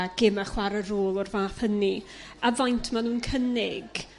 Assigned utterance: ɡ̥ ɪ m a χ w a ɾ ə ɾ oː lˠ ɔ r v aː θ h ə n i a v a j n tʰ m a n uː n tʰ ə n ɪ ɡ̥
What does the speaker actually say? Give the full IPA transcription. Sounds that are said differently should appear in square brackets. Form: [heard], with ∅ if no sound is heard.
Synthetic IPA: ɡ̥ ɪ m a χ w a ɾ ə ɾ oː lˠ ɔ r v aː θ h ə n i a v a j n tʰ m a n uː n [kʰ] ə n ɪ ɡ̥